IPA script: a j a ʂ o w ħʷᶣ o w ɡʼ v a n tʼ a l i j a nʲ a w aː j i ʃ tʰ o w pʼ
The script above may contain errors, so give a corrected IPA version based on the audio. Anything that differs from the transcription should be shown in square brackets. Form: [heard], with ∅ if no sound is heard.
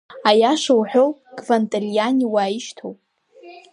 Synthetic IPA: a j a ʂ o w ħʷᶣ o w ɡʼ v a n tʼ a l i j a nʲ [i] w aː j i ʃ tʰ o w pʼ